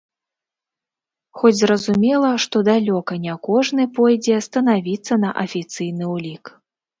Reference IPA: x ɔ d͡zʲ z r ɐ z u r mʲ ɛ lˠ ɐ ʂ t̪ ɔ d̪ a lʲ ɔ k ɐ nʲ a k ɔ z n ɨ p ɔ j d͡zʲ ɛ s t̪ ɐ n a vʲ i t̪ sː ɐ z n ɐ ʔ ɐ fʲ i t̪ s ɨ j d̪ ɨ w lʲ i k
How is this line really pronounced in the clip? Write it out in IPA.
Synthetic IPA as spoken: x ɔ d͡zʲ z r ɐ z u mʲ ɛ lˠ ɐ ʂ t̪ ɔ d̪ a lʲ ɔ k ɐ nʲ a k ɔ ʐ n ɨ p ɔ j d͡zʲ ɛ s t̪ ɐ n a vʲ i t̪ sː ɐ n ɐ ʔ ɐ fʲ i t̪ s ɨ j n̪ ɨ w lʲ i k